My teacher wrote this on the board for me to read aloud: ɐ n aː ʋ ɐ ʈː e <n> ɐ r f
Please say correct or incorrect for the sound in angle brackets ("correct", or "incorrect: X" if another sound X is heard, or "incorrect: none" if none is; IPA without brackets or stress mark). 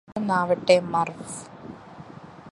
incorrect: m